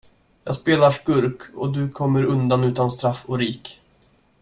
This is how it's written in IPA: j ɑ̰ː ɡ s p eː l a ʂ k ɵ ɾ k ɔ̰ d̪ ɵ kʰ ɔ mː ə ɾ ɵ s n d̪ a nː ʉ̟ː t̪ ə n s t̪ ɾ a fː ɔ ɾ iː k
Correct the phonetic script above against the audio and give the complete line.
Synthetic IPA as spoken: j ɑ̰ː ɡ s p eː l a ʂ k ɵ ɾ k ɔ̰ d̪ ɵ kʰ ɔ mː ə ɾ ɵ n d̪ a n ʉ̟ː t̪ a n s t̪ ɾ a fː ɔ ɾ iː k